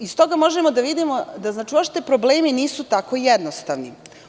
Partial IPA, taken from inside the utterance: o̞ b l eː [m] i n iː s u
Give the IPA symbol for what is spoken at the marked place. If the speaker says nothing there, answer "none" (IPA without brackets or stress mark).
m